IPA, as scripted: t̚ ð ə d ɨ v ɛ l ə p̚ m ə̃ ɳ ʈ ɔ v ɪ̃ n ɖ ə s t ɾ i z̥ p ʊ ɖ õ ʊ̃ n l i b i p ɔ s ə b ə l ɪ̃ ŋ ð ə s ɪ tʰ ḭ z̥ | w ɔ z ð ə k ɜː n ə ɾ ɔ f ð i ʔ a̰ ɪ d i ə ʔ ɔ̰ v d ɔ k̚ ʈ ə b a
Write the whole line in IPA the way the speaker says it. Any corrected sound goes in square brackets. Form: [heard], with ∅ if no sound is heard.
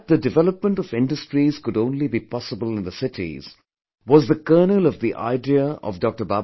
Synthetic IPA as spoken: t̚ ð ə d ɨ v ɛ l ə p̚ m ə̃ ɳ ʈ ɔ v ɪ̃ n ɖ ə s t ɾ i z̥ [k] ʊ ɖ õ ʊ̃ n l i b i p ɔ s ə b ə l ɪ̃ [n] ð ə s ɪ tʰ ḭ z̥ | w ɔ z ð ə k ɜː n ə [l] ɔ [v] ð i ʔ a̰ ɪ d i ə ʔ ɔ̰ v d ɔ k̚ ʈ ə b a